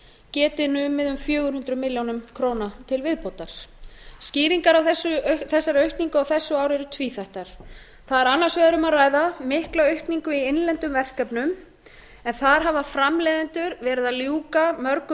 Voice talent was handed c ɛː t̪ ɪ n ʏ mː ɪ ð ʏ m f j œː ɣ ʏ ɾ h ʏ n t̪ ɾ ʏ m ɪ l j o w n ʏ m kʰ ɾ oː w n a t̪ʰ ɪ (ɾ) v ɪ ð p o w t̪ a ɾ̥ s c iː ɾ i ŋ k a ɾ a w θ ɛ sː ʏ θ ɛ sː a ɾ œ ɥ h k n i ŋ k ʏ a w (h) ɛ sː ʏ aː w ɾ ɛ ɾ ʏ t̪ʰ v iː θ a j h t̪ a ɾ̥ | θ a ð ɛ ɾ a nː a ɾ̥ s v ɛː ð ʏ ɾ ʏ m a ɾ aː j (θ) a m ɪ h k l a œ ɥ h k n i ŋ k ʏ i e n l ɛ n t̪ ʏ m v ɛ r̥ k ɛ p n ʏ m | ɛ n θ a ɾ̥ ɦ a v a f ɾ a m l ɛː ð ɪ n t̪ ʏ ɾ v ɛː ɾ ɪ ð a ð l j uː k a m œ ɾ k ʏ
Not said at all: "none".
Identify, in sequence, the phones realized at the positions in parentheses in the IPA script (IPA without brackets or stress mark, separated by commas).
l, θ, ð